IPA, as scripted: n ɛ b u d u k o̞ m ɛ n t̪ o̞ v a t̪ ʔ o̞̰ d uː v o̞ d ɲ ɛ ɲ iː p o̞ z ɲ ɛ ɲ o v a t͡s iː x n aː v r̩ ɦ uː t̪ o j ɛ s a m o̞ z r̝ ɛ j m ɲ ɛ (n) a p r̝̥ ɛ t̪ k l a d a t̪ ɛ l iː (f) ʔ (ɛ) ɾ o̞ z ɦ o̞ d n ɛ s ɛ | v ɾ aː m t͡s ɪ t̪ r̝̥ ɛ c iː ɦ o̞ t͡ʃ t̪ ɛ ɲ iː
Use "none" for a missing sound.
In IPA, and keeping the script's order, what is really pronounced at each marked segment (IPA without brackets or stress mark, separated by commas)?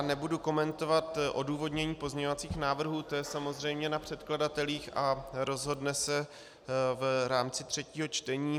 n, x, a